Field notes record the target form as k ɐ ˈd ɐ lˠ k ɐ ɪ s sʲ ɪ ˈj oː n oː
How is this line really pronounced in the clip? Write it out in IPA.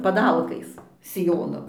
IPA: p ɐ ˈd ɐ lˠ k ɐ ɪ s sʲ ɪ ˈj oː n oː